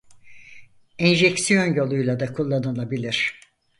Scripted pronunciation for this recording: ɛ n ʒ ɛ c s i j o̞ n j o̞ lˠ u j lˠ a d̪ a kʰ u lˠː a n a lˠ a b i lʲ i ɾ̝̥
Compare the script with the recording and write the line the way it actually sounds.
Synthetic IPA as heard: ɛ n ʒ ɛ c s i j o̞ n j o̞ lˠ u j lˠ a d̪ a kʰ u lˠː a n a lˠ a b i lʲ i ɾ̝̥